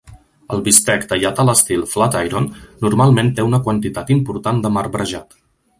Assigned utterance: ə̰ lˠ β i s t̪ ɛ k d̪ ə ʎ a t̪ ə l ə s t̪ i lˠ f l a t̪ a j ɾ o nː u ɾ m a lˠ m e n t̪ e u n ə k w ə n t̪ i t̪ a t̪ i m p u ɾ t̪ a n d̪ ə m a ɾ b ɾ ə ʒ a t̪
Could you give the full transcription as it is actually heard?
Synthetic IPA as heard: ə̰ lˠ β i s t̪ ɛ k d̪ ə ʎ a t̪ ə l ə s t̪ i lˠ f l a t̪ a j ɾ o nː u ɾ m a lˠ m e n t̪ e u n ə k w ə n t̪ i t̪ a t̪ i m p u ɾ t̪ a n d̪ ə m a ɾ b ɾ ə ʒ a t̪